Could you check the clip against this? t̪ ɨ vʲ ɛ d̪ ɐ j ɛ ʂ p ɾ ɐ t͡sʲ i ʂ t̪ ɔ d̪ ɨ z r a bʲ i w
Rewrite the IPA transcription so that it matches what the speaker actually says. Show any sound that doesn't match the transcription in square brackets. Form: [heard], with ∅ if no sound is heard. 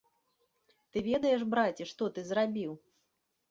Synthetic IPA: t̪ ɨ vʲ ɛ d̪ ɐ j ɛ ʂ [b] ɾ [a] t͡sʲ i ʂ t̪ ɔ [t̪] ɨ z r a bʲ i w